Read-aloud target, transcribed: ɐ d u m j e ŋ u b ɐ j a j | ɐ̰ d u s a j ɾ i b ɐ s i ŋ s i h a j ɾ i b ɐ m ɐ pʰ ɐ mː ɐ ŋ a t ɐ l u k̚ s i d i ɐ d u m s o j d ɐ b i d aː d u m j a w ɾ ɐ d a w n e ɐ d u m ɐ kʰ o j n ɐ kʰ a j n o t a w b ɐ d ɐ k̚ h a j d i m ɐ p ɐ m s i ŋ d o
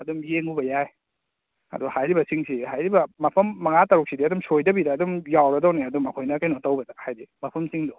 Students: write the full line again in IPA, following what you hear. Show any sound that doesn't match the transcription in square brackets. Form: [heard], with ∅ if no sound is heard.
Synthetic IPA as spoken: ɐ d u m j e ŋ u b ɐ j a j | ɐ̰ d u [h] a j ɾ i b ɐ s i ŋ s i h a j ɾ i b ɐ m ɐ pʰ ɐ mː ɐ ŋ a t ɐ [ɾ] u k̚ s i d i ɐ d u m s o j d ɐ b i d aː d u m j a w ɾ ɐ d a w n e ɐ d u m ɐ kʰ o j n ɐ [k] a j n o t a w b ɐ d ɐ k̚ h a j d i m ɐ [pʰ] ɐ m s i ŋ d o